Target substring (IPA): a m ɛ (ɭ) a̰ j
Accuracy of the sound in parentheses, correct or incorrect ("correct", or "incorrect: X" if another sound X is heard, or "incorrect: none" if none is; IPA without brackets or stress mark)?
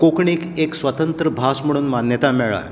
correct